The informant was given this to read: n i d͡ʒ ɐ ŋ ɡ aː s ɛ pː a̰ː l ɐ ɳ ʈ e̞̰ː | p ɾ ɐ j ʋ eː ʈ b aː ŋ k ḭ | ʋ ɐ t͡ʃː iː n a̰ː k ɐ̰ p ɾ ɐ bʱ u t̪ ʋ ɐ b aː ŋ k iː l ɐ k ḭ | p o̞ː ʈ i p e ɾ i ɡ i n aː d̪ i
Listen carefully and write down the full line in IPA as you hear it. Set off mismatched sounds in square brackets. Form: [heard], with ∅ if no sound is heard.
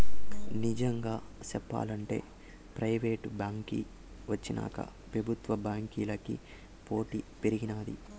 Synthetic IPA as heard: n i d͡ʒ ɐ ŋ ɡ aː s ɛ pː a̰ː l ɐ ɳ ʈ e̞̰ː | p ɾ ɐ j ʋ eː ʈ b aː ŋ k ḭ | ʋ ɐ t͡ʃː [i] n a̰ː k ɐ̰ p ɾ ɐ bʱ u t̪ ʋ ɐ b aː ŋ k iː l ɐ k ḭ | p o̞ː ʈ i p e ɾ i ɡ i n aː d̪ i